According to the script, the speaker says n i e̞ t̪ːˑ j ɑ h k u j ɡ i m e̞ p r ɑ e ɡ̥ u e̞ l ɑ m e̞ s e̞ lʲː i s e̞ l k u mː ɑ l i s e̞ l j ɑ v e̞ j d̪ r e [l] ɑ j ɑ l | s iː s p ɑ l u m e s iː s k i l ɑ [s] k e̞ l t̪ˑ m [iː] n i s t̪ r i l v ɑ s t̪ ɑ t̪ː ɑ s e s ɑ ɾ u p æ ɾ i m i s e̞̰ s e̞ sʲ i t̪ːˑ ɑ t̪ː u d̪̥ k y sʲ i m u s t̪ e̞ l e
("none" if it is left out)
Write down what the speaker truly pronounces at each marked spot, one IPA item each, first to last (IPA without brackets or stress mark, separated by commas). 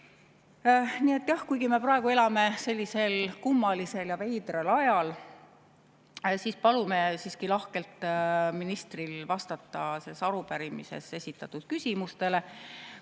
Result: l, h, i